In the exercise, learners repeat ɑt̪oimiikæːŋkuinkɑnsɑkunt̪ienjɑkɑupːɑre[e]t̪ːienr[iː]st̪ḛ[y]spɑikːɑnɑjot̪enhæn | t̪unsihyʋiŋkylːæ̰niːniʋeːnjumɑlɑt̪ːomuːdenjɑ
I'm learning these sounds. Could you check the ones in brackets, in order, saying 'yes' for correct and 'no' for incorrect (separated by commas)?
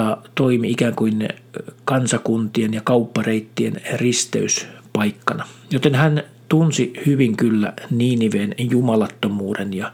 no, no, yes